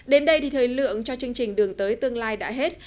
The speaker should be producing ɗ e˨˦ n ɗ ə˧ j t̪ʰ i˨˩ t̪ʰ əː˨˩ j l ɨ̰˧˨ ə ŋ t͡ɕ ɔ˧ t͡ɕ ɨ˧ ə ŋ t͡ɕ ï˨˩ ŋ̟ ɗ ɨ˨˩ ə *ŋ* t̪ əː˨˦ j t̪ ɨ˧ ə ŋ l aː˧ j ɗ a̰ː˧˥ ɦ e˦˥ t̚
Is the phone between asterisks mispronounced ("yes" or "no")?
no